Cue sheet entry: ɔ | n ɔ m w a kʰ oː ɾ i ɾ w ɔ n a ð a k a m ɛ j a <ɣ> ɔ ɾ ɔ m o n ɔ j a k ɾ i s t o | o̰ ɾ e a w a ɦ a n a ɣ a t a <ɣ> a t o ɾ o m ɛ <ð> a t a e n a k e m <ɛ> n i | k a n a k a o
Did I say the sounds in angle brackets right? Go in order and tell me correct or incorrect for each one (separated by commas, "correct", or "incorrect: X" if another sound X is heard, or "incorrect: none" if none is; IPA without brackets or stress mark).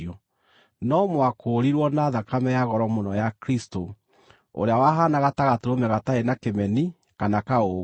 correct, correct, incorrect: ɣ, correct